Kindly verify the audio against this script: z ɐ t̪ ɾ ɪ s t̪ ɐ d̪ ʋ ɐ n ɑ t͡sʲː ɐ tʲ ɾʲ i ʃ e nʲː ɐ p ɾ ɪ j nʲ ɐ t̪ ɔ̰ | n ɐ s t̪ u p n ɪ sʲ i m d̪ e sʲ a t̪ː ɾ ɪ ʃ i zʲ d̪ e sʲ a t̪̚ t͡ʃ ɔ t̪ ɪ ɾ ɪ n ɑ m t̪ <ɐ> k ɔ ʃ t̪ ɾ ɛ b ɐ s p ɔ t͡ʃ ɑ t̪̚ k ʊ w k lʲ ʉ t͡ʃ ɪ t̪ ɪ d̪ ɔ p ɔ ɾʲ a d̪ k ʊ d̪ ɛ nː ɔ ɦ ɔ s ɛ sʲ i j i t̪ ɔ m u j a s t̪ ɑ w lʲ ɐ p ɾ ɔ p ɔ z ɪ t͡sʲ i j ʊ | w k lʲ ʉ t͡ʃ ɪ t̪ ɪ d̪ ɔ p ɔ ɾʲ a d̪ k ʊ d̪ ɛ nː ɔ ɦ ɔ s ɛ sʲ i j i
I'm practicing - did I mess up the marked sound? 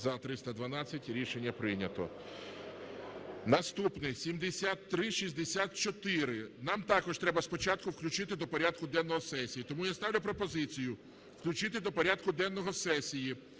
yes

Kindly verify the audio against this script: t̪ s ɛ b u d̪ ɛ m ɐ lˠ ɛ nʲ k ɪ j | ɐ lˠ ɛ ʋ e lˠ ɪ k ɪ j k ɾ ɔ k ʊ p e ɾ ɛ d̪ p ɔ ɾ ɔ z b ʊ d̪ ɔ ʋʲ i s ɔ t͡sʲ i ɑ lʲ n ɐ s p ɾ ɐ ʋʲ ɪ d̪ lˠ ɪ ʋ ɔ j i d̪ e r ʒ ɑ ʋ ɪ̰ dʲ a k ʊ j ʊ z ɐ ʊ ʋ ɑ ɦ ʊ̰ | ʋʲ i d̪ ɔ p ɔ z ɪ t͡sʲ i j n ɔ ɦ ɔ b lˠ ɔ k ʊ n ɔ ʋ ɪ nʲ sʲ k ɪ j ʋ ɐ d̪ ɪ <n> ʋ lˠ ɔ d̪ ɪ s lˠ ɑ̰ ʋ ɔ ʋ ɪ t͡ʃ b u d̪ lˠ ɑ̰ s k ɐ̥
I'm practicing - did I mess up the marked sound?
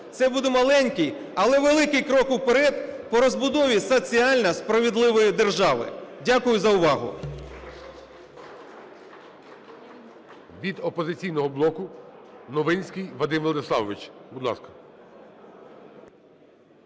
yes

